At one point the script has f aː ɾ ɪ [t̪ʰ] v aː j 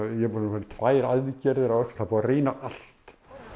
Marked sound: correct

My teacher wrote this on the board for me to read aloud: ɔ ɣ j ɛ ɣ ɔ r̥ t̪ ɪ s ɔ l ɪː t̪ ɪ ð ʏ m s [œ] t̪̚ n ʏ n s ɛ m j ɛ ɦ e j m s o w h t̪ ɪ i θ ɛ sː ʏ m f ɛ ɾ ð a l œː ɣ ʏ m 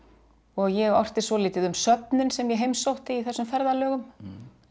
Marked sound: correct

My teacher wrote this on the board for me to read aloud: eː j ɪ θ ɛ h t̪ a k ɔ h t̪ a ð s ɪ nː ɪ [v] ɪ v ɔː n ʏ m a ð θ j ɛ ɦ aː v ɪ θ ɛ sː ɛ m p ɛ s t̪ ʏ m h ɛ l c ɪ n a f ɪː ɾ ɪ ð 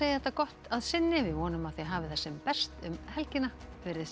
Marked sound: correct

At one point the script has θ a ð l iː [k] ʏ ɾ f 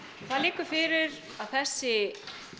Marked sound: correct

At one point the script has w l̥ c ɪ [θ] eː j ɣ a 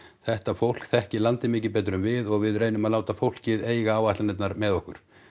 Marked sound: incorrect: ð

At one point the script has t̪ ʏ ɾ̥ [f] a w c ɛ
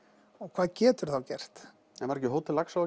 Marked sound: incorrect: θ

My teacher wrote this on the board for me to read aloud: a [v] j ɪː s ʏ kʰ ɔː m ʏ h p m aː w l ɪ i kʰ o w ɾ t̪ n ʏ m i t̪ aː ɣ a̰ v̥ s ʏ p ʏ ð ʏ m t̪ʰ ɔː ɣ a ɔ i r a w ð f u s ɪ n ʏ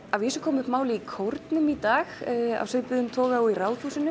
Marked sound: correct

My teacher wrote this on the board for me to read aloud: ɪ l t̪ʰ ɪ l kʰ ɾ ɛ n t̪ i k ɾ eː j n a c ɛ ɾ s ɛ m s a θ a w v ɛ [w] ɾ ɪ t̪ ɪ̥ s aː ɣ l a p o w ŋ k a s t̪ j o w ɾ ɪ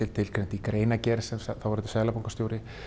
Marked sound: incorrect: none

